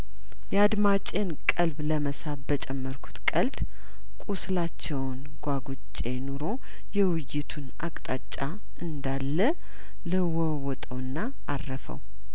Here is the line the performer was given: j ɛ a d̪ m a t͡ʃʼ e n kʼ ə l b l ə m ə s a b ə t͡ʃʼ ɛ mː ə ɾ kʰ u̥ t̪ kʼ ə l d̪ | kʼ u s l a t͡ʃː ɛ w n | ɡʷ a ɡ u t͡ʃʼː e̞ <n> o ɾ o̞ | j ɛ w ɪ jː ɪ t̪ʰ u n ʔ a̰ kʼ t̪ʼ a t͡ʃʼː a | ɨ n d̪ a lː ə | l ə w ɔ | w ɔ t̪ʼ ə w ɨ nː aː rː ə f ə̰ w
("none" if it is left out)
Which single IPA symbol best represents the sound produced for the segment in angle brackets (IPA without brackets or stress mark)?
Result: n